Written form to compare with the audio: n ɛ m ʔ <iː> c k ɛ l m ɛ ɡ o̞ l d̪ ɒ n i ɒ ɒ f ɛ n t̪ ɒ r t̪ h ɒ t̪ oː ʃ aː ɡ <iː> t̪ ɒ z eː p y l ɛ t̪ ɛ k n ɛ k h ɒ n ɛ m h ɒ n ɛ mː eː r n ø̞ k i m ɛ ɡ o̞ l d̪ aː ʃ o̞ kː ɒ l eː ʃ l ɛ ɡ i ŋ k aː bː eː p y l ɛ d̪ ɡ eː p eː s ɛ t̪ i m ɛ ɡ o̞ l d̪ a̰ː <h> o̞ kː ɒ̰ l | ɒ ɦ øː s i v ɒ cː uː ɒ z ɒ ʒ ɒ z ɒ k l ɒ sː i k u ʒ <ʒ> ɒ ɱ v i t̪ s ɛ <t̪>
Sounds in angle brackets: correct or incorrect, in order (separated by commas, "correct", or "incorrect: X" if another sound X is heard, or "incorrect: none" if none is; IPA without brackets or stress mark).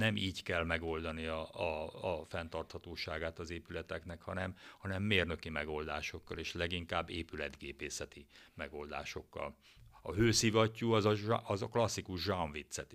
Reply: correct, incorrect: aː, incorrect: ʃ, correct, correct